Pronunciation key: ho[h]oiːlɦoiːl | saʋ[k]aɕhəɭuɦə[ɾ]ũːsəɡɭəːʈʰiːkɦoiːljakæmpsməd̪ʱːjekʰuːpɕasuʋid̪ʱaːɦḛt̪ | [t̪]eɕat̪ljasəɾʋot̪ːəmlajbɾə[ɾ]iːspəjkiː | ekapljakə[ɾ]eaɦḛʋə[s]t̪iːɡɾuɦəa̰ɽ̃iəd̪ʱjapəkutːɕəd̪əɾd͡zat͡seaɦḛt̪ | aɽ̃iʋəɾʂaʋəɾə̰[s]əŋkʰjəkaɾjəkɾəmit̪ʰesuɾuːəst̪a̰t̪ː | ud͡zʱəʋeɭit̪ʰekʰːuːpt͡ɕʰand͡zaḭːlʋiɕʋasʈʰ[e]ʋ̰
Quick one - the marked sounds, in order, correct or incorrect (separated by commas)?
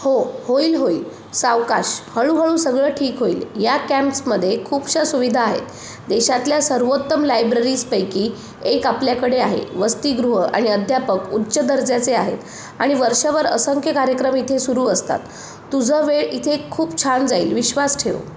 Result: correct, correct, incorrect, incorrect, correct, incorrect, correct, correct, correct